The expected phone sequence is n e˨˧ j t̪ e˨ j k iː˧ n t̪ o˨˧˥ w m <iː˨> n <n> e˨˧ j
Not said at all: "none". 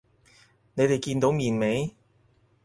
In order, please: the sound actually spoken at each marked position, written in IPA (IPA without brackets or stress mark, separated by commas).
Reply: iː˨, m